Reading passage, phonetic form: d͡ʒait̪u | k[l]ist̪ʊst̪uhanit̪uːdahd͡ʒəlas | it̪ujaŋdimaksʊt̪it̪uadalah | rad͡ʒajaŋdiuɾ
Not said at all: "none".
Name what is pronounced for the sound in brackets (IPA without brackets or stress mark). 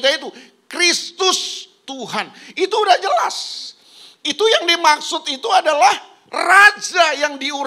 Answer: ɾ